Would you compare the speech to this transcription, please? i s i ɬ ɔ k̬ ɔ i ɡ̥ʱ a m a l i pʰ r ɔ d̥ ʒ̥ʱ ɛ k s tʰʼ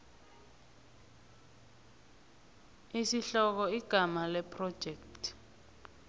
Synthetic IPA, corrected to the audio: i s i ɬ ɔ k̬ ɔ i ɡ̥ʱ a m a l ɛ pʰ r ɔ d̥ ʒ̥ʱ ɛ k t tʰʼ